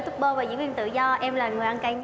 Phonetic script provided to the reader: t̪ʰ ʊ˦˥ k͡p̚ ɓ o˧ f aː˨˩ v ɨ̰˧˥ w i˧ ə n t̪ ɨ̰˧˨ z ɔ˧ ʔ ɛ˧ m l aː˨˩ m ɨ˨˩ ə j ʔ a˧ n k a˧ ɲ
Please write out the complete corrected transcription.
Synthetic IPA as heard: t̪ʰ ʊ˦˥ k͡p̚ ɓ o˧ v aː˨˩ z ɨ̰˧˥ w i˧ ə n t̪ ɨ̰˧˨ z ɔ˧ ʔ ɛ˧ m l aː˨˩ ŋ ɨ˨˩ ə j ʔ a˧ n k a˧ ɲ

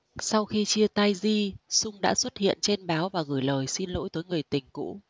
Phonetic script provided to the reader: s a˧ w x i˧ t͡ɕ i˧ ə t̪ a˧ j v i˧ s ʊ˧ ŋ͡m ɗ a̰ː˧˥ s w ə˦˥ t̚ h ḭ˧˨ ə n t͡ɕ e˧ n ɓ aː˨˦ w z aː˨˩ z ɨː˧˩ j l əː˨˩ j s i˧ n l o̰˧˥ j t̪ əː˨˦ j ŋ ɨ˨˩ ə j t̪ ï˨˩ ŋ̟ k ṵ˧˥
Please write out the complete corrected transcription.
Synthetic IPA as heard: s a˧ w x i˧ t͡ɕ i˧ ə t̪ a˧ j z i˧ s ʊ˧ ŋ͡m ɗ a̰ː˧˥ s w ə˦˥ t̚ h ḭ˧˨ ə n t͡ɕ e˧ n ɓ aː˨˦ w v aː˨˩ ɣ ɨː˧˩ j l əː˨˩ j s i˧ n l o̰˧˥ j t̪ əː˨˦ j ŋ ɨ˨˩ ə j t̪ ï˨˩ ŋ̟ k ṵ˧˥

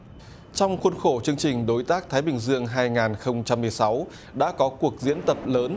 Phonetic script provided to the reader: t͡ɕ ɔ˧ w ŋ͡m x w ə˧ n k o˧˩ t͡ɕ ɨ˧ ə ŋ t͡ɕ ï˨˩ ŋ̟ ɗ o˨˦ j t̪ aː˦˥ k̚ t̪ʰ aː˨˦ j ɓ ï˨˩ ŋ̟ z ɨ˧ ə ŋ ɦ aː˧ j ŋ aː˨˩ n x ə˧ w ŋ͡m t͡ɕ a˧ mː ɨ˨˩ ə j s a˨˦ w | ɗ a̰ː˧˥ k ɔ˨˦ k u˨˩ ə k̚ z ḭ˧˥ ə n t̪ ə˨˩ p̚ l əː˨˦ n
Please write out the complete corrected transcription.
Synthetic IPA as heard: t͡ɕ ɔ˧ w ŋ͡m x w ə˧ n x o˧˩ t͡ɕ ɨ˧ ə ŋ t͡ɕ ï˨˩ ŋ̟ ɗ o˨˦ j t̪ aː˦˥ k̚ t̪ʰ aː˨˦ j ɓ ï˨˩ ŋ̟ z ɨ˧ ə ŋ ɦ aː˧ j ŋ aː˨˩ n x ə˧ w ŋ͡m t͡ɕ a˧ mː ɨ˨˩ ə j s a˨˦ w | ɗ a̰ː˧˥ k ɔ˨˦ k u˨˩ ə k̚ z ḭ˧˥ ə n t̪ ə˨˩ p̚ l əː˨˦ n

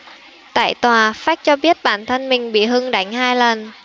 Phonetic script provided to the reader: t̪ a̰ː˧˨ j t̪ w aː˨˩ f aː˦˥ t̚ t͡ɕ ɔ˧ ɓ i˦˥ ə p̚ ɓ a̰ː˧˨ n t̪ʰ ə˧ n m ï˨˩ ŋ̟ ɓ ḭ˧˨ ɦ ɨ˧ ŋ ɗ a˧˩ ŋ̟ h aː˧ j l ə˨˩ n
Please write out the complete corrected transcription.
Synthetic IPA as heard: t̪ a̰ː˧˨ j t̪ w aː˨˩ f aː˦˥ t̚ t͡ɕ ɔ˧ ɓ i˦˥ ə t̚ ɓ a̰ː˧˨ n t̪ʰ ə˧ n m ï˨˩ ŋ̟ ɓ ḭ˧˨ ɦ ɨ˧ ŋ ɗ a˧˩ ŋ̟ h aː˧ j l ə˨˩ n

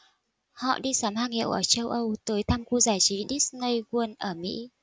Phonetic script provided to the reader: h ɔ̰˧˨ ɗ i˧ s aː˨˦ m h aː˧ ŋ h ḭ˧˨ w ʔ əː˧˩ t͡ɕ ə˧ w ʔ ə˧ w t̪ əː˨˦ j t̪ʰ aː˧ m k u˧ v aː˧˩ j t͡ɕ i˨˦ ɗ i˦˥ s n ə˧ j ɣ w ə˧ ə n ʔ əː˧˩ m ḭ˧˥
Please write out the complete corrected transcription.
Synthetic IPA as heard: h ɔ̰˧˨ ɗ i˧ s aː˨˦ m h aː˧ ŋ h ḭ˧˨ w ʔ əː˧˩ t͡ɕ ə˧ w ʔ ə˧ w t̪ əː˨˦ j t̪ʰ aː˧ m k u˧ z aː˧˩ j t͡ɕ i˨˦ ɗ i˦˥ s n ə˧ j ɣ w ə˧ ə n ʔ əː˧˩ m ḭ˧˥

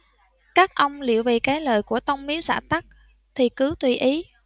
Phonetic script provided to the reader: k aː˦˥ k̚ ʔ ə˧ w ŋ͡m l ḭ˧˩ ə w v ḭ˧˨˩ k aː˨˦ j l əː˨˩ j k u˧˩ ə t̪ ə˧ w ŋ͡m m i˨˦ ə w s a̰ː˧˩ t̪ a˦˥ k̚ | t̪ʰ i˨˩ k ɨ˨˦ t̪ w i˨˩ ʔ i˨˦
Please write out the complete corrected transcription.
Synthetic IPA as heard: k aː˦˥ k̚ ʔ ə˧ w ŋ͡m l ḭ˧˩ ə w v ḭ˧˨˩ k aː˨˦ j l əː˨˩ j k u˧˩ ə t̪ ə˧ w ŋ͡m m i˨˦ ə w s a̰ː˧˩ t̪ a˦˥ k̚ | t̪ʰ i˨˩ k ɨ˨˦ t̪ w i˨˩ ʔ i˨˦

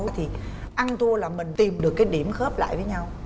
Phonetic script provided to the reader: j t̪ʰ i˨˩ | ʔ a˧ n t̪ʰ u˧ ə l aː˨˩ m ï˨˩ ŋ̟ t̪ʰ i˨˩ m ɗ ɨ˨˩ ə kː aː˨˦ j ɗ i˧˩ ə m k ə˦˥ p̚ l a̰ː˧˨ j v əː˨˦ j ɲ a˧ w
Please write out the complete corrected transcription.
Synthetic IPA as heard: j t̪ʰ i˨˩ | ʔ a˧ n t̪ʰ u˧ ə l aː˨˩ m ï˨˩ ŋ̟ t̪ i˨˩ m ɗ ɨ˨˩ ə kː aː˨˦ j ɗ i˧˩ ə m x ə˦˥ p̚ l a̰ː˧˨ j v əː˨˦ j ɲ a˧ w

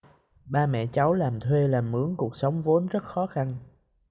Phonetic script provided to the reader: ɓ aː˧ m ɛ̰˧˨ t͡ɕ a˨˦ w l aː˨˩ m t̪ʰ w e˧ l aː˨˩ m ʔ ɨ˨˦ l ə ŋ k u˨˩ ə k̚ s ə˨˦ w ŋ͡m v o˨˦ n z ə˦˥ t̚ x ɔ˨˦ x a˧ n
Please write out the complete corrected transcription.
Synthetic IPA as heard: ɓ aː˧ m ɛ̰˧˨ t͡ɕ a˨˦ w l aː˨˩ m t̪ʰ w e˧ l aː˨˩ m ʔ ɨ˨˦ ə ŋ k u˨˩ ə k̚ s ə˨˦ w ŋ͡m v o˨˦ n z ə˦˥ t̚ x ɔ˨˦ x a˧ n

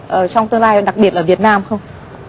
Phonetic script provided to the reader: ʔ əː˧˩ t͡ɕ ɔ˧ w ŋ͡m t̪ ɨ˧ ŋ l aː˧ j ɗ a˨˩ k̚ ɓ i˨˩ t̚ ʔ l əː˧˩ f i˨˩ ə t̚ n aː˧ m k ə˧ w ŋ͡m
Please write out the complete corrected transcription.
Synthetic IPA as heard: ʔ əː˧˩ t͡ɕ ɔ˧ w ŋ͡m t̪ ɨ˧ ŋ l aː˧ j ɗ a˨˩ k̚ ɓ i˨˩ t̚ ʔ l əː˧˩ v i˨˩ ə t̚ n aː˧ m x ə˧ w ŋ͡m

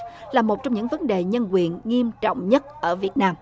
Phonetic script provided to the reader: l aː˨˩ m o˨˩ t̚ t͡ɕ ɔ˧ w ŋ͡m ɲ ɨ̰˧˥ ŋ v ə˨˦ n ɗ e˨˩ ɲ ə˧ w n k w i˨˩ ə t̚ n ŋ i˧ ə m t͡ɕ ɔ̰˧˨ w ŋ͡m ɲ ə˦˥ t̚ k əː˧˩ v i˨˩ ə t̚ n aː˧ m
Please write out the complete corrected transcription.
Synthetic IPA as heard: l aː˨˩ m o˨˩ t̚ t͡ɕ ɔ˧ w ŋ͡m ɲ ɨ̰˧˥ ŋ v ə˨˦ n ɗ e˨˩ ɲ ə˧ n k w i˨˩ ə n ŋ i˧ ə m t͡ɕ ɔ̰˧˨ w ŋ͡m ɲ ə˦˥ t̚ ʔ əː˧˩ v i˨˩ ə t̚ n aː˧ m

